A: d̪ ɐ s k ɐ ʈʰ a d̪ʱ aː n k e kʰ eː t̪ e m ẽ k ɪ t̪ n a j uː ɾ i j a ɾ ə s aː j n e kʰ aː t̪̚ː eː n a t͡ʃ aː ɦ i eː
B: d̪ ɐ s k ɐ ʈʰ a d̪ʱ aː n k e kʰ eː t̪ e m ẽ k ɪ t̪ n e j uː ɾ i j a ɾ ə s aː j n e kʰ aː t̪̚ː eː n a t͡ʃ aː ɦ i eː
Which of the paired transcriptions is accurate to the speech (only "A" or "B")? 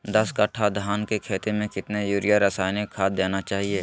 B